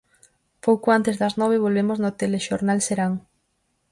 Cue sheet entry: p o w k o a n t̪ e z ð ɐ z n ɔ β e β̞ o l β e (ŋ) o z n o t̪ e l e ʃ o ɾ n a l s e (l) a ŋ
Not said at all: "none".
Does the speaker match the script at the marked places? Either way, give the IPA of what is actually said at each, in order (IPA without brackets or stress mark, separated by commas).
m, ɾ